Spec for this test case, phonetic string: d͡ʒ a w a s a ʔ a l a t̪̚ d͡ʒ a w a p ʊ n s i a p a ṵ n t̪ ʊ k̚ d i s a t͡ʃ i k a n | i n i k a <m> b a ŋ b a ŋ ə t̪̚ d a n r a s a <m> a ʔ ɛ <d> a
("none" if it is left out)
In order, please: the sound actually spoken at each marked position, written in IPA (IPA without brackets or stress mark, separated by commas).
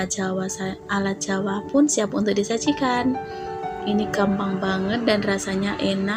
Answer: m, ɲ, n